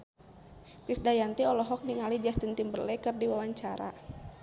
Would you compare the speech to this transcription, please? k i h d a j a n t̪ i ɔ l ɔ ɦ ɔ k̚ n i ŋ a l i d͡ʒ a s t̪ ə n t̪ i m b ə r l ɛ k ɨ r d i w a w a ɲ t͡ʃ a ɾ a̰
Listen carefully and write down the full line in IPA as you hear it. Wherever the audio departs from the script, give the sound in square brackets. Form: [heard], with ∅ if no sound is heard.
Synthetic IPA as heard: k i [s] d a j a n t̪ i ɔ l ɔ ɦ ɔ k̚ n i ŋ a l i d͡ʒ a s t̪ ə n t̪ i m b ə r l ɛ k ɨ r d i w a w a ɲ t͡ʃ a ɾ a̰